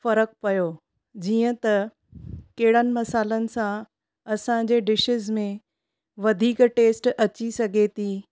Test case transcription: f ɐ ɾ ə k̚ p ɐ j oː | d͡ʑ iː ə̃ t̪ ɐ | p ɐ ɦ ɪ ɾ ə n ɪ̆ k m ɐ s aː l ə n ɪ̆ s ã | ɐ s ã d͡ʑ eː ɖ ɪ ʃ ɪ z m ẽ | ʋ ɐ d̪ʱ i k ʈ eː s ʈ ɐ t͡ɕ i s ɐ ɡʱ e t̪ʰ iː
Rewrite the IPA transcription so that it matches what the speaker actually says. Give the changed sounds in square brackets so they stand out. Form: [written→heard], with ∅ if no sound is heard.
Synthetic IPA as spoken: f ɐ ɾ ə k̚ p ɐ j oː | d͡ʑ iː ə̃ t̪ ɐ | [p→k] ɐ ɦ ɪ [ɾ→ɽ] ə n ɪ̆ [k→∅] m ɐ s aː l ə n ɪ̆ s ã | ɐ s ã d͡ʑ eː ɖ ɪ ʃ ɪ z m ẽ | ʋ ɐ d̪ʱ [i→iː] k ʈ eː s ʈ ɐ t͡ɕ i s ɐ ɡʱ e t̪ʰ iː